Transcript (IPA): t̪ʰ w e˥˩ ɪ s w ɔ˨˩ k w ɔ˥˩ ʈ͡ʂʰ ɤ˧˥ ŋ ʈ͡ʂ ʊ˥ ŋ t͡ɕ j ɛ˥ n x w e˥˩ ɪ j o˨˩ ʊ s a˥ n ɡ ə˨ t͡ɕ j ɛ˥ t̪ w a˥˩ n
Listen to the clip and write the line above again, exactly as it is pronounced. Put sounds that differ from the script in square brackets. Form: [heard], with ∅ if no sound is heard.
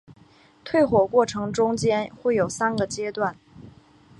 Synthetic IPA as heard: t̪ʰ w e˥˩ ɪ [x] w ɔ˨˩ k w ɔ˥˩ ʈ͡ʂʰ ɤ˧˥ ŋ ʈ͡ʂ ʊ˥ ŋ t͡ɕ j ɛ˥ n x w e˥˩ ɪ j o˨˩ ʊ s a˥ n ɡ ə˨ t͡ɕ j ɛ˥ t̪ w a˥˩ n